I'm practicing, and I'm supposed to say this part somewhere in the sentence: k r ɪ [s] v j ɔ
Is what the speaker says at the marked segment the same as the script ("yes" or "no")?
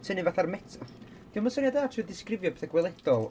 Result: no